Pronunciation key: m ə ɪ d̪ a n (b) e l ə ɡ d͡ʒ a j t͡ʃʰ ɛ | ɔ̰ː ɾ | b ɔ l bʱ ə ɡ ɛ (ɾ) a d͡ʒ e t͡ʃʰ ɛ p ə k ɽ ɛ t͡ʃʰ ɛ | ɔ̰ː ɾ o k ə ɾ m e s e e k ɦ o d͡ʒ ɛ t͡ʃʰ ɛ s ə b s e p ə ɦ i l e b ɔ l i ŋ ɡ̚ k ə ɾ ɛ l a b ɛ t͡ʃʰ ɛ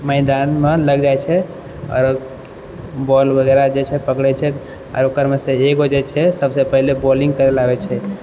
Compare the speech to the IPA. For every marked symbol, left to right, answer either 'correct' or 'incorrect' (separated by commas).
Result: incorrect, correct